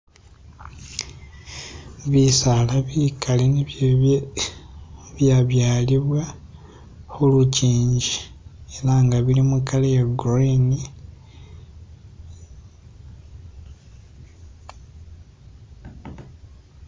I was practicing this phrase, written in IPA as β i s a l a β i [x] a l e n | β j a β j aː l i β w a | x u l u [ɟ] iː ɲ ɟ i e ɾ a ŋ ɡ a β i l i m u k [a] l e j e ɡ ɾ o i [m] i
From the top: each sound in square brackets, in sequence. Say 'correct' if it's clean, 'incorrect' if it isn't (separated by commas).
incorrect, incorrect, correct, incorrect